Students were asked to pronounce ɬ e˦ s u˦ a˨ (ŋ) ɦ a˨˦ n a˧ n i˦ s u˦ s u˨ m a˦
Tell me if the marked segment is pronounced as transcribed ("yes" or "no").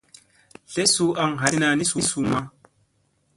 yes